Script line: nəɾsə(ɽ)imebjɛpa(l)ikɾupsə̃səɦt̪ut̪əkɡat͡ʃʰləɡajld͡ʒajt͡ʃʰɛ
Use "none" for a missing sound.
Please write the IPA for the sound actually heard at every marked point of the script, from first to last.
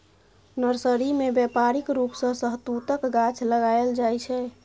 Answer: ɾ, ɾ

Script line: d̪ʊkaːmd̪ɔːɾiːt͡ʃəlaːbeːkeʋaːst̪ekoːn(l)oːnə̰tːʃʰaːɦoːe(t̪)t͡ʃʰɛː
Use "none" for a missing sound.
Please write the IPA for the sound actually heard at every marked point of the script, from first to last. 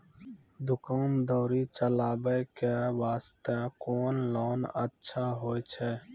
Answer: l, none

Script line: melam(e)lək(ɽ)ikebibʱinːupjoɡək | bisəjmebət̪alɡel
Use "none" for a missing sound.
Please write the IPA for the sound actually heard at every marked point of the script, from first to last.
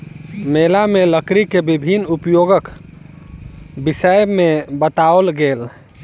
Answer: e, ɾ

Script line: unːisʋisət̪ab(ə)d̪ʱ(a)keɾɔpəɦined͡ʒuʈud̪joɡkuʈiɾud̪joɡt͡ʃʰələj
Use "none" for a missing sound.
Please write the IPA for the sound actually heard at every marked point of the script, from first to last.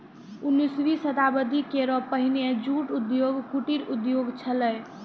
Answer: ə, i

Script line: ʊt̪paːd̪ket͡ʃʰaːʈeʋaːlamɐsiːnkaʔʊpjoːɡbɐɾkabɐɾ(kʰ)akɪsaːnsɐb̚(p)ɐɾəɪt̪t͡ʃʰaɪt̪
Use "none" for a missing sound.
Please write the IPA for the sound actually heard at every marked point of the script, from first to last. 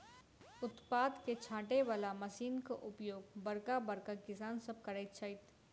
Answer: k, k

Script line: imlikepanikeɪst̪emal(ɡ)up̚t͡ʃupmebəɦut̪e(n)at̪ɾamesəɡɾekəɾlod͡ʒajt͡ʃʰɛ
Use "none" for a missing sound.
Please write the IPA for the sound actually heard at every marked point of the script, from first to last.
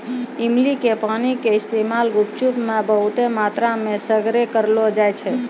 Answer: ɡ, m

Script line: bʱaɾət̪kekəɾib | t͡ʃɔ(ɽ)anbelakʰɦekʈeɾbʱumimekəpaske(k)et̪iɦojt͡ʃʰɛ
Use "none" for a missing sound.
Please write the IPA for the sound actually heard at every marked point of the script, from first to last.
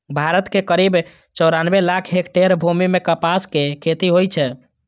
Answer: ɾ, kʰ

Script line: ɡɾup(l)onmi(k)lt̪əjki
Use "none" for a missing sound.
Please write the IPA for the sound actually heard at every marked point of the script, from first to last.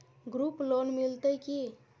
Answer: l, none

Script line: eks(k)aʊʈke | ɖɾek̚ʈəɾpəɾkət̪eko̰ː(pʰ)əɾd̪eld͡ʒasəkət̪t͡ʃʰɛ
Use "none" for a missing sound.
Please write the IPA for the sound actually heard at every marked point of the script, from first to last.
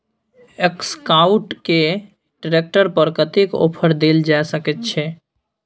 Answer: k, pʰ

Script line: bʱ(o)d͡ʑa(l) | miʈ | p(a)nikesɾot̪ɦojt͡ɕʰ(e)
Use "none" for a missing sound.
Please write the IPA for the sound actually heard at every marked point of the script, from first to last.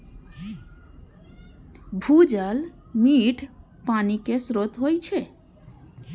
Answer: u, l, a, e

